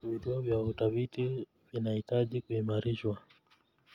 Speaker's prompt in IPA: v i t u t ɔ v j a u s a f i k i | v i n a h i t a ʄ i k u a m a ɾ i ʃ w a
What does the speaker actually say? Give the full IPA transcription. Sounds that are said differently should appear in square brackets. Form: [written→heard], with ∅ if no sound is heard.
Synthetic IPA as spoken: v i t u [t→∅] ɔ v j a u [s→t] a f i [k→t] i | v i n a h i t a ʄ i k u [a→i] m a ɾ i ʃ w a